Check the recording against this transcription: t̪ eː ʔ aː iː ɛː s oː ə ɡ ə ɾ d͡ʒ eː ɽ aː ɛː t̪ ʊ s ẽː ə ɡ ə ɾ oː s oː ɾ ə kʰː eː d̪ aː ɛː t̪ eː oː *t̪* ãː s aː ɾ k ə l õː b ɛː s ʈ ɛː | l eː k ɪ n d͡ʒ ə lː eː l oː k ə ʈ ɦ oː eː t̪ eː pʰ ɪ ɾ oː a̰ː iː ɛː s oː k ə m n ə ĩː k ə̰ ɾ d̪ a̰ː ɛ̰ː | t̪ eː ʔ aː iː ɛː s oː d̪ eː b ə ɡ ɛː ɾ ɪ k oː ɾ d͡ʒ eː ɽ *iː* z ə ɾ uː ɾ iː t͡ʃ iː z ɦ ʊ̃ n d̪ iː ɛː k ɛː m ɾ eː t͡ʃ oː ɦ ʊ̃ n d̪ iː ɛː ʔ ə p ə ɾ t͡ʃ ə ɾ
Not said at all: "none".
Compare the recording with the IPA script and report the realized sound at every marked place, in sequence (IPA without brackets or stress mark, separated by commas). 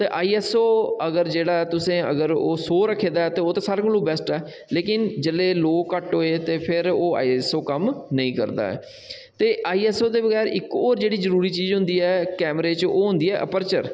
t̪, iː